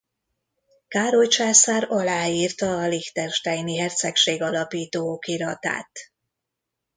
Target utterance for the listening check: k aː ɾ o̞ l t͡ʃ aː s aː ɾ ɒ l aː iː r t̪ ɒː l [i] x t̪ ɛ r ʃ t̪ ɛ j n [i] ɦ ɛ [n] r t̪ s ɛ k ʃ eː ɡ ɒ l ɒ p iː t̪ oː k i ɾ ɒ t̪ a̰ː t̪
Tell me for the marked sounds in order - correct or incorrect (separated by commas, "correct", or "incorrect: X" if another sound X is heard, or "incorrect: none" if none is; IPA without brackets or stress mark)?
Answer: correct, correct, incorrect: none